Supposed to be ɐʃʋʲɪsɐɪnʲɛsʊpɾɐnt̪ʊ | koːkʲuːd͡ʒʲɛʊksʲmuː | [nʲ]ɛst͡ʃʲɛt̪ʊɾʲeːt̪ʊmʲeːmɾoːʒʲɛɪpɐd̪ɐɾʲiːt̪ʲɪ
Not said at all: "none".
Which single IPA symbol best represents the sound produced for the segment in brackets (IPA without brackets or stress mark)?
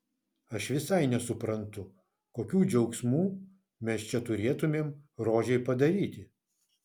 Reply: mʲ